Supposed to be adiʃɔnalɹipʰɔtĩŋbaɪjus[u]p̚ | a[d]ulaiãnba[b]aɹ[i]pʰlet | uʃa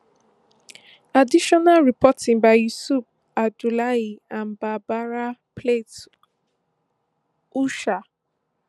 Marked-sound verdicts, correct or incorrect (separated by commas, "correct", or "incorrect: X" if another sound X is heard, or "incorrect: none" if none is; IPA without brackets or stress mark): correct, correct, correct, incorrect: a